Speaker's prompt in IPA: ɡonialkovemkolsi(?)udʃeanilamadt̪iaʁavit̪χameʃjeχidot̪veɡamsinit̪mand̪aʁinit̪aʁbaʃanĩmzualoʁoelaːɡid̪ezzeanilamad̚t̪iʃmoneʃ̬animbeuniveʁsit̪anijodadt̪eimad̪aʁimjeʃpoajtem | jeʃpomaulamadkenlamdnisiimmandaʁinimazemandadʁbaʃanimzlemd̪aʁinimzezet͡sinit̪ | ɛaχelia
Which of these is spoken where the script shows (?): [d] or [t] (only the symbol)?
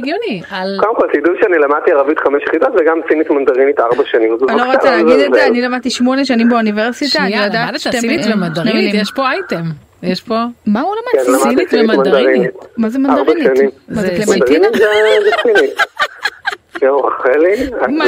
d